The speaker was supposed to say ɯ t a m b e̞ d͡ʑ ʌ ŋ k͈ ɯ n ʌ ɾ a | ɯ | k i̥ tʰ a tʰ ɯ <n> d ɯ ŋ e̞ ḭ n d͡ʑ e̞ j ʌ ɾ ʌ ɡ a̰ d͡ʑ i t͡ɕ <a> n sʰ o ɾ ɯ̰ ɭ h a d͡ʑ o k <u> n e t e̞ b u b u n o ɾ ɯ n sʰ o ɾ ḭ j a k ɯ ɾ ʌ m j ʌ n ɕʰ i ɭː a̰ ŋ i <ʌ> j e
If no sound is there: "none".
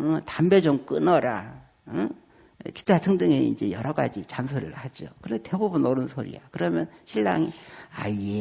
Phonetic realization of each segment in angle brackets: ŋ, a, ɯ, a

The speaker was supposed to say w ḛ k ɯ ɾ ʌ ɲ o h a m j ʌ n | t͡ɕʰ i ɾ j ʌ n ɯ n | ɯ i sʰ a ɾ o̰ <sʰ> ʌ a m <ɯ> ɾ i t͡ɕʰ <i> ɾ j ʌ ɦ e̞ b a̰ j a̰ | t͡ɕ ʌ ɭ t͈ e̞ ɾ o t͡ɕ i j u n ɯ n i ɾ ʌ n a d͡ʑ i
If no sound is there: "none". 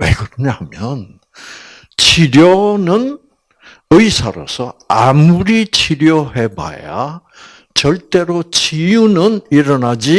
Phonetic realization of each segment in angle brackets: sʰ, u, i

